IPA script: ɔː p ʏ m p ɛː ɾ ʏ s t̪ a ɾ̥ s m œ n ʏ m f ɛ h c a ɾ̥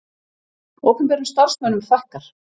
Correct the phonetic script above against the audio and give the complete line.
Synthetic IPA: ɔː k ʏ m p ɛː ɾ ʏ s t̪ a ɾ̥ s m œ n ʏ m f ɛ h k a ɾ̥